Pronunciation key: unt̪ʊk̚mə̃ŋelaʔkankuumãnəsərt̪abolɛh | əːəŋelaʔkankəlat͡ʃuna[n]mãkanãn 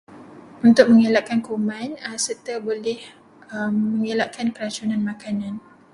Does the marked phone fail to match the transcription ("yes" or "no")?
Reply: no